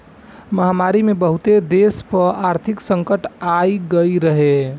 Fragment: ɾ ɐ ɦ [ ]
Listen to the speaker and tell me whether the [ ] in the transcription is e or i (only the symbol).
e